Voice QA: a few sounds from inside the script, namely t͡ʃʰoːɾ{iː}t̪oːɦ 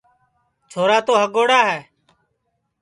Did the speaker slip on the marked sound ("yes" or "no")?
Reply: yes